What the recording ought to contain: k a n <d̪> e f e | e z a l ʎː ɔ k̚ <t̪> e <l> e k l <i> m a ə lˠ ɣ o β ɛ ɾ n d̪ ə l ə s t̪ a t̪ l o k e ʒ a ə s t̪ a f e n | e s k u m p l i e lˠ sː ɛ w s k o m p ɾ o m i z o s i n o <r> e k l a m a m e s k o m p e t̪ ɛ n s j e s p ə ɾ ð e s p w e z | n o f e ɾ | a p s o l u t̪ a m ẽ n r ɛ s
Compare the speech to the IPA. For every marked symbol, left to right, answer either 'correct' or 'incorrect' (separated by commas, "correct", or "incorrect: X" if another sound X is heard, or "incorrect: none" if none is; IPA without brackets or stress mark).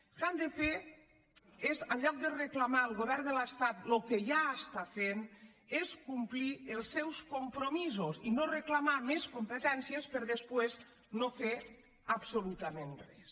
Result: correct, incorrect: d̪, incorrect: r, incorrect: a, correct